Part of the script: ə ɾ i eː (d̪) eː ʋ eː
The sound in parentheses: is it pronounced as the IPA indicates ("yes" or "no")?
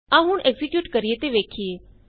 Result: no